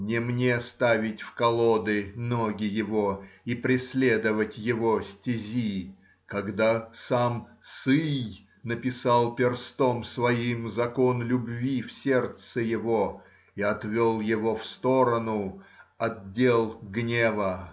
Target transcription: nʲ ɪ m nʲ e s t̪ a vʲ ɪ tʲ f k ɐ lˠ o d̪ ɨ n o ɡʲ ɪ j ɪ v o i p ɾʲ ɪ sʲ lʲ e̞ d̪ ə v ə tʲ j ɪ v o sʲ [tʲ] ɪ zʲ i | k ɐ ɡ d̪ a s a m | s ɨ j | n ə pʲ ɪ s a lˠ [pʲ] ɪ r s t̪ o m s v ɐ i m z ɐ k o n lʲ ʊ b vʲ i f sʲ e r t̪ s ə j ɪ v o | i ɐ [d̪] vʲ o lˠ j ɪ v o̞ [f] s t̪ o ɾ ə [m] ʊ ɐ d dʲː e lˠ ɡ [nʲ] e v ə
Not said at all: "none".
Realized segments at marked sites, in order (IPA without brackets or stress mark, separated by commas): tʲ, pʲ, t̪, f, n, nʲ